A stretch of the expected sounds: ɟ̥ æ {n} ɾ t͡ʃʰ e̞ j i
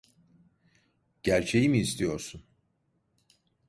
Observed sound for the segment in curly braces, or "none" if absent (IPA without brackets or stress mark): none